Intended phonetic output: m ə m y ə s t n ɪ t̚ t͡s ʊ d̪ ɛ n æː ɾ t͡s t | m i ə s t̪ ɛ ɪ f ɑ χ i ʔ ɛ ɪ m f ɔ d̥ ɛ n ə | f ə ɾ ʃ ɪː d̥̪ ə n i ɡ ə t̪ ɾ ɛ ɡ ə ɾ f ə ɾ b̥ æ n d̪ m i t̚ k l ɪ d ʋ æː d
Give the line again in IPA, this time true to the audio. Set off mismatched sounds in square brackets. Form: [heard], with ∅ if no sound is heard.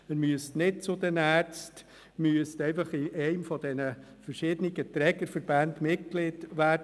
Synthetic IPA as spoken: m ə m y ə s t n ɪ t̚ t͡s ʊ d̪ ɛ n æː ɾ t͡s t | m [y] ə s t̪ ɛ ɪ f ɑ χ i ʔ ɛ ɪ m f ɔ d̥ ɛ n ə | f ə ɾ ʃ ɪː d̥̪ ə n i ɡ ə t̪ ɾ ɛ ɡ ə ɾ f ə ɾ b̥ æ n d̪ m [ɪ] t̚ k l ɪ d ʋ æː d